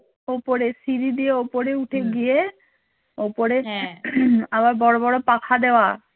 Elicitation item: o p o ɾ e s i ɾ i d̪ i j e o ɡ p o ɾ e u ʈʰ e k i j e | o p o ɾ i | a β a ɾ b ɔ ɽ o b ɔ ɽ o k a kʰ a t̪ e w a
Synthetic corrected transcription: o p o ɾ e s i ɾ i d̪ i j e o p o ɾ e u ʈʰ e ɡ i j e | o p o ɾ e | a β a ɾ b ɔ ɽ o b ɔ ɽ o p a kʰ a d̪ e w a